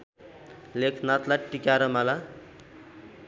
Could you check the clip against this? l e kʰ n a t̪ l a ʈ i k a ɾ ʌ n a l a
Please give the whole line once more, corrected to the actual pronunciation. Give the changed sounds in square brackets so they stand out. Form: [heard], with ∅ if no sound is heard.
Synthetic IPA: l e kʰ n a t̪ l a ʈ i k a ɾ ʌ [m] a l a